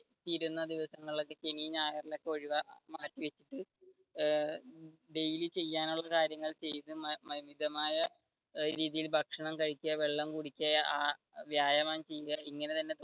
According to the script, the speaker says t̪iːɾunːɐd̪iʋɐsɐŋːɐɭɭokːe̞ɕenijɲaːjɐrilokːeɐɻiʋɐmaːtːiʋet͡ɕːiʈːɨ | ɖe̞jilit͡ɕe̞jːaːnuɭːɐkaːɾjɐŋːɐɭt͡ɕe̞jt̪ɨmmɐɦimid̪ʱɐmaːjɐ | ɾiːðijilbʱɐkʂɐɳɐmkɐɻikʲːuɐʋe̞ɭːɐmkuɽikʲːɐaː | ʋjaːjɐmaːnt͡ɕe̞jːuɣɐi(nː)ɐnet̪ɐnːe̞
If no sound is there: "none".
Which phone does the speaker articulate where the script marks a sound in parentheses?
ŋː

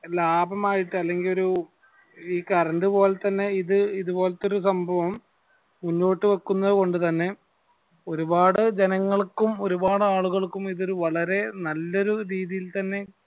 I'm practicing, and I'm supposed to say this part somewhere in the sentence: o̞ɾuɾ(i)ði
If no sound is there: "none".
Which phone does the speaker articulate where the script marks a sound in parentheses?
iː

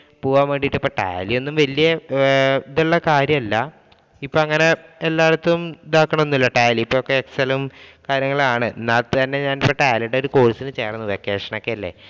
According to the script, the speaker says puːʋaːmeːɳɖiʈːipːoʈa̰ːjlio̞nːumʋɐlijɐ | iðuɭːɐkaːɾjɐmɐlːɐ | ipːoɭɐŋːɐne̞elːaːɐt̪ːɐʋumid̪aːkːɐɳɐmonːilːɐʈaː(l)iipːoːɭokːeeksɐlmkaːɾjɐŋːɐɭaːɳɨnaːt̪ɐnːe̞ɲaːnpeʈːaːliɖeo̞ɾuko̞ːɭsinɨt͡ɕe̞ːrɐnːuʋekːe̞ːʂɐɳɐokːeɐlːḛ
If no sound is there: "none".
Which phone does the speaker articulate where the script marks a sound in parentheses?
l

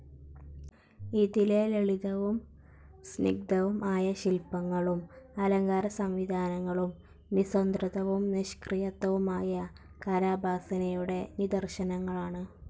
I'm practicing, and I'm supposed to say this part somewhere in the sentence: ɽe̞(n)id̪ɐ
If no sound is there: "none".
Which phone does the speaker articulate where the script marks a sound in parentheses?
n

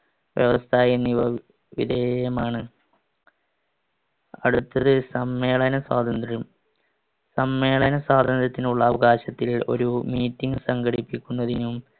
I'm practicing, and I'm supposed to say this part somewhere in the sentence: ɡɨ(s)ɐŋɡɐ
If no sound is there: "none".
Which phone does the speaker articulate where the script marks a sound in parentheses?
s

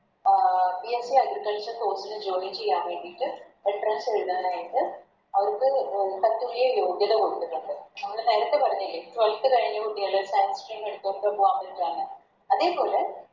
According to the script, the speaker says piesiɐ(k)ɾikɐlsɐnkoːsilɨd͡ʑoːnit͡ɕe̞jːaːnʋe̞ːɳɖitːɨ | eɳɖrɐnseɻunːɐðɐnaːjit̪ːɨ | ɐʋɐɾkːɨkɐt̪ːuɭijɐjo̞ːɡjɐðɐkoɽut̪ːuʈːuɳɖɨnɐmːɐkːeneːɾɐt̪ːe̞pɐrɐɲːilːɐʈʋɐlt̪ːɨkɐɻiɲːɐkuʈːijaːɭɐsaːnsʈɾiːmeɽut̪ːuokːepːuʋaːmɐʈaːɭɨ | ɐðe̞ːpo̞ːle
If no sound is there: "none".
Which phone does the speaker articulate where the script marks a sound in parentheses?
ɡ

